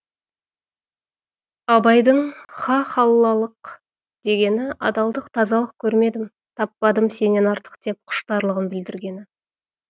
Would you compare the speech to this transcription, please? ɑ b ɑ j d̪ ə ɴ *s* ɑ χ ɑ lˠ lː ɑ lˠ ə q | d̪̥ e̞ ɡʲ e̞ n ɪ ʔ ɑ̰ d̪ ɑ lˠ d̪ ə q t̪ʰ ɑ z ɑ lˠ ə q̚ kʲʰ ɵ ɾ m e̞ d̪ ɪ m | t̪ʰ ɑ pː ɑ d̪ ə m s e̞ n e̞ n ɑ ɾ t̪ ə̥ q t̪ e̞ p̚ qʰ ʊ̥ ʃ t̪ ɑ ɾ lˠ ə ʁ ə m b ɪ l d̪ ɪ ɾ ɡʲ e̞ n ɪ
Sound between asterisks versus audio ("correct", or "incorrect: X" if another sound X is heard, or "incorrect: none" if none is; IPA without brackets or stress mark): incorrect: χ